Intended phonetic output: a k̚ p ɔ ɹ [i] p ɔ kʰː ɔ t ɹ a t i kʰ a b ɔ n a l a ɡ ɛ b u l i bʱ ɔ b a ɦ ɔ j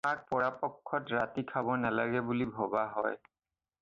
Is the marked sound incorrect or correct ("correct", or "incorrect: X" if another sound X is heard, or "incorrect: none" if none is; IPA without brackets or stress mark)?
incorrect: a